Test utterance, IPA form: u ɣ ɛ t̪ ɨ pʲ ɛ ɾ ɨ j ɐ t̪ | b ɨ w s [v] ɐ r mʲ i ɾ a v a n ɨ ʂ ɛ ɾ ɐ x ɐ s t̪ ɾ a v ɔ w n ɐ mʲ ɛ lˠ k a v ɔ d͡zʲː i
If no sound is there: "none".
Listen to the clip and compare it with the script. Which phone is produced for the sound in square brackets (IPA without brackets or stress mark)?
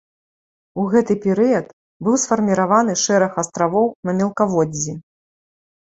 f